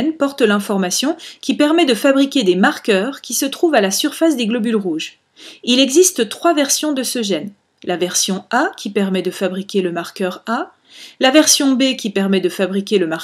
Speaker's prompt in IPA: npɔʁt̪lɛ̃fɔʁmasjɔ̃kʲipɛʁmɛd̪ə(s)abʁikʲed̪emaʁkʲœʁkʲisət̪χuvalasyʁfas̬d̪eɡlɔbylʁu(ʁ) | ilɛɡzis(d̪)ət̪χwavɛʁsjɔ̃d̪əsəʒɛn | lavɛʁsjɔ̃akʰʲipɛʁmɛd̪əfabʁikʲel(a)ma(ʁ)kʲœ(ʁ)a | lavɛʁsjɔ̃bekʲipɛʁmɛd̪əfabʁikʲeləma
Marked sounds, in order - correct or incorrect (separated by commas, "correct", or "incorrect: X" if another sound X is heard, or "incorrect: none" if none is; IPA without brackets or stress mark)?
incorrect: f, incorrect: ʒ, incorrect: t̪, incorrect: ə, correct, correct